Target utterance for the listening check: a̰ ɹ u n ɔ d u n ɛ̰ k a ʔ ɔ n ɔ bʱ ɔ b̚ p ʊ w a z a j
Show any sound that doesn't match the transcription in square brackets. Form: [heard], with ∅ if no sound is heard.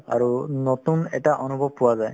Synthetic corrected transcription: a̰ ɹ u n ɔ [t] u n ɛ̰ [t] a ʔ ɔ n [u] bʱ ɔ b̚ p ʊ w a z a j